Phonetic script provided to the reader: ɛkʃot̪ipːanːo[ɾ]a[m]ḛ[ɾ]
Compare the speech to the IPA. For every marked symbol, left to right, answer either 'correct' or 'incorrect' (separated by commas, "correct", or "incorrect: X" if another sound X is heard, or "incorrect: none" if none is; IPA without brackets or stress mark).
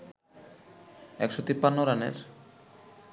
correct, incorrect: n, correct